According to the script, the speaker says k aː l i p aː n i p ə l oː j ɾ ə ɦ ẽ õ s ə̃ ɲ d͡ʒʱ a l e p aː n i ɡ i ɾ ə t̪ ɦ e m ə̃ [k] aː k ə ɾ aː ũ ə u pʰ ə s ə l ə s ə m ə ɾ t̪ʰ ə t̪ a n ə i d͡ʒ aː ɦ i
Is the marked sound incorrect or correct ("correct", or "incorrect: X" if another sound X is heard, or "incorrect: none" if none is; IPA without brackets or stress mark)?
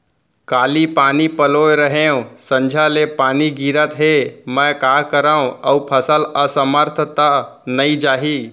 correct